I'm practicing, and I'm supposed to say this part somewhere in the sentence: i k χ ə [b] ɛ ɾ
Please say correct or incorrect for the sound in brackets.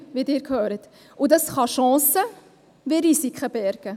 correct